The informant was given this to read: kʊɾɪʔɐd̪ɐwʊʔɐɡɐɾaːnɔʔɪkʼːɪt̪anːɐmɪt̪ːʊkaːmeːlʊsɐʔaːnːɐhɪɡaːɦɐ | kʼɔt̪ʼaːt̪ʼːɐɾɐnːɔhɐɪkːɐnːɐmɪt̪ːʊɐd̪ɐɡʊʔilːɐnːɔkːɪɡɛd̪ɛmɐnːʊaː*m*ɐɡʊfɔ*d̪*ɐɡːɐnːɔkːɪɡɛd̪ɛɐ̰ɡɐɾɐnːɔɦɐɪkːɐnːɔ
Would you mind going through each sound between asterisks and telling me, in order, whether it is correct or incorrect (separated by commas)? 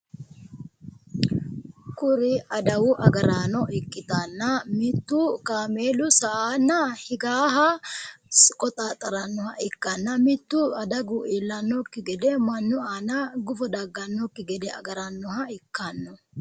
incorrect, correct